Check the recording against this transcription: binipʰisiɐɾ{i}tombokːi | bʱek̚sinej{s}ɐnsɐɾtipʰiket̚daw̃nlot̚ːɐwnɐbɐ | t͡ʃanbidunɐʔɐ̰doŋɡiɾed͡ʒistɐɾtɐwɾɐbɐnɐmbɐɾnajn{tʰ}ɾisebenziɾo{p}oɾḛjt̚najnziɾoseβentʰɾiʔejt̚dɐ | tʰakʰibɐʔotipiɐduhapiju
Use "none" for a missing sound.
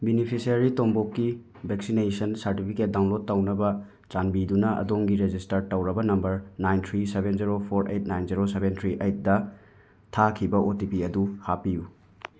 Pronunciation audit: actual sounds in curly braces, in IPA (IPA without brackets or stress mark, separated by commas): i, s, tʰ, pʰ